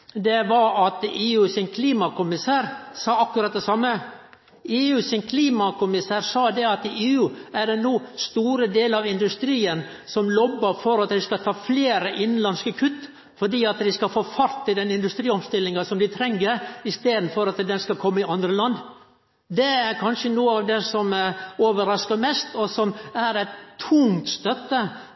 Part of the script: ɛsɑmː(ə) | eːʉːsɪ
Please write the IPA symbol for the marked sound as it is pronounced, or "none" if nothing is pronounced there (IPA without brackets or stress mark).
ə